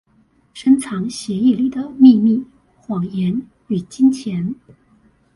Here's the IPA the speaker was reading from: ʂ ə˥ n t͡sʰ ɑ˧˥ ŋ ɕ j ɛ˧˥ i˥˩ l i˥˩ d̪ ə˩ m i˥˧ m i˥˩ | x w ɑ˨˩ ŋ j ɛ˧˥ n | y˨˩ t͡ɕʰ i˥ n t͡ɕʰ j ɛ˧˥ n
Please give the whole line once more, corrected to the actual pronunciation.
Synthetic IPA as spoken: ʂ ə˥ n t͡sʰ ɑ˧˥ ŋ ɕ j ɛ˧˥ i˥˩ l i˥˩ d̪ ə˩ m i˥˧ m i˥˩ | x w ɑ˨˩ ŋ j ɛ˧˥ n | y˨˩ t͡ɕ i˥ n t͡ɕʰ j ɛ˧˥ n